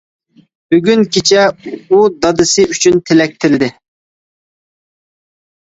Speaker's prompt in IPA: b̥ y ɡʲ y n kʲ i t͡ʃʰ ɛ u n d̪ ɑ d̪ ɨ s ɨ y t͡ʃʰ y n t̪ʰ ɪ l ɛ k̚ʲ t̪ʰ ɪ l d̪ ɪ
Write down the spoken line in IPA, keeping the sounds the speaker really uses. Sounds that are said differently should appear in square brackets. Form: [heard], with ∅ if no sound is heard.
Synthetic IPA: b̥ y ɡʲ y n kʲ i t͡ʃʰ ɛ u [∅] d̪ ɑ d̪ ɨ s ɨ y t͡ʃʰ y n t̪ʰ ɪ l ɛ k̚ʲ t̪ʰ ɪ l d̪ ɪ